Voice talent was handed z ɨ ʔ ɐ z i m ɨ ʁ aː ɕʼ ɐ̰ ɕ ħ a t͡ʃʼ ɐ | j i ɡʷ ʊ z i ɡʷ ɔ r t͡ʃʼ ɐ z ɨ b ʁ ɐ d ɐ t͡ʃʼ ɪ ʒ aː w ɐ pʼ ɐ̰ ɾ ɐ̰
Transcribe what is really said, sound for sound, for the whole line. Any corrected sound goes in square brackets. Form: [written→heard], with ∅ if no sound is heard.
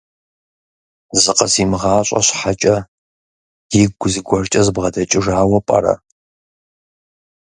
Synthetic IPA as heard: z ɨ [ʔ→q] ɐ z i m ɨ ʁ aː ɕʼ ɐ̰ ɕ ħ a t͡ʃʼ ɐ | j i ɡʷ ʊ z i ɡʷ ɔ r t͡ʃʼ ɐ z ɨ b ʁ ɐ d ɐ t͡ʃʼ ɪ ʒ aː w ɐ pʼ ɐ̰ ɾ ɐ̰